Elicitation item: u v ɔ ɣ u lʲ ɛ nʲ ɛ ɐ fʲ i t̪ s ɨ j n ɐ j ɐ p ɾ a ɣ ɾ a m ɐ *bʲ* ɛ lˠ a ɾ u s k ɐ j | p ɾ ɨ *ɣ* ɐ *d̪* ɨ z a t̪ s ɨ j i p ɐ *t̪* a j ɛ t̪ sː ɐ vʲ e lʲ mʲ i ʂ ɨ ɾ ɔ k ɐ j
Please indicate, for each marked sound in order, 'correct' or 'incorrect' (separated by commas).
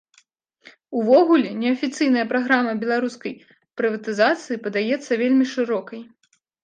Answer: correct, incorrect, incorrect, incorrect